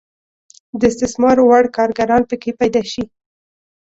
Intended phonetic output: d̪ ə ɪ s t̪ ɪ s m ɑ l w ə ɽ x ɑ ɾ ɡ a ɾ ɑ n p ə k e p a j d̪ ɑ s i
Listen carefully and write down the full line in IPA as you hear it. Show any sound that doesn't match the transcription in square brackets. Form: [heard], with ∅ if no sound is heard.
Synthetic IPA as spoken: d̪ ə ɪ s t̪ ɪ s m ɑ [ɾ] w [a] ɽ [k] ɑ ɾ ɡ a ɾ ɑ n p ə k e p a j d̪ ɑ [ʃ] i